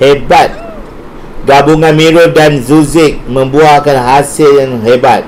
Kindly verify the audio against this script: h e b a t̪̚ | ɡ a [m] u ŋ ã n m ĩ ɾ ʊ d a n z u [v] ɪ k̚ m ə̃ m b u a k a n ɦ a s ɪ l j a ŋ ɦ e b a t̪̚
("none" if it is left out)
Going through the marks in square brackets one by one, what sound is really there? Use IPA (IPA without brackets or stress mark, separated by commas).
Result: b, z